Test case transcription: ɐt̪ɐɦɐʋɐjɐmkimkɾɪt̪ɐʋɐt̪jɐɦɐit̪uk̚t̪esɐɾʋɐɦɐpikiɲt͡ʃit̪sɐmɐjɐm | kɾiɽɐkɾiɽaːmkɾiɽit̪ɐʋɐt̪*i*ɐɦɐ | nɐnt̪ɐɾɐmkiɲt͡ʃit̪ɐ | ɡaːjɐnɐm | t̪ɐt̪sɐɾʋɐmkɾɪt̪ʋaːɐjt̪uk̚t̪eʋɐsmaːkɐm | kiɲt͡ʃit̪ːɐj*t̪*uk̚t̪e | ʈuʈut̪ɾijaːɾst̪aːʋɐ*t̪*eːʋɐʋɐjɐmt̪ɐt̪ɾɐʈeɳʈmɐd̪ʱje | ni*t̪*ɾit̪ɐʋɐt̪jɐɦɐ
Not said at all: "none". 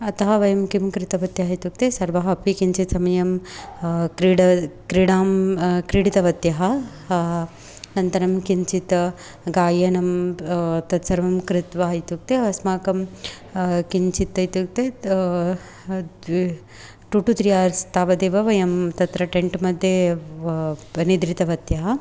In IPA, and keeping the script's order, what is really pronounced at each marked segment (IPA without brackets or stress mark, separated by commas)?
j, t̪, d̪, d̪